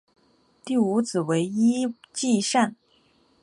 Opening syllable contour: falling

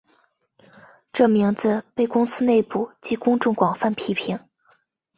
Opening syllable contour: falling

